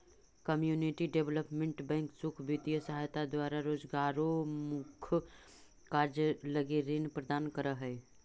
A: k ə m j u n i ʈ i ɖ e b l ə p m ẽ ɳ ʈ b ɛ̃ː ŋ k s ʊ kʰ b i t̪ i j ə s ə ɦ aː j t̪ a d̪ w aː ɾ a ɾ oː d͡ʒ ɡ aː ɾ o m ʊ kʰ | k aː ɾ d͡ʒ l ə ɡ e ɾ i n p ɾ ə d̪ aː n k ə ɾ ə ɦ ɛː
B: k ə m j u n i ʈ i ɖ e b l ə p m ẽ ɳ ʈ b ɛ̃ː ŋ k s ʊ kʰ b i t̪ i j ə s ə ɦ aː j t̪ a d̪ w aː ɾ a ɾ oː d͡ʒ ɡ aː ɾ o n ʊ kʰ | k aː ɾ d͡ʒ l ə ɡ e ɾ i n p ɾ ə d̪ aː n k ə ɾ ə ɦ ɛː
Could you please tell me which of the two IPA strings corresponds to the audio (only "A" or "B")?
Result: A